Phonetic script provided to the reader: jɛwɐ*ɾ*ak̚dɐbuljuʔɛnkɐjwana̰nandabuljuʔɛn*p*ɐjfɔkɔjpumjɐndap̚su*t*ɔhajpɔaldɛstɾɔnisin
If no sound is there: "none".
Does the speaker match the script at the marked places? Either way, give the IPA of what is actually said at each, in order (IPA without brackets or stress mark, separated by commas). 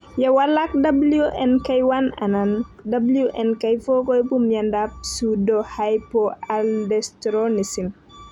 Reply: l, k, d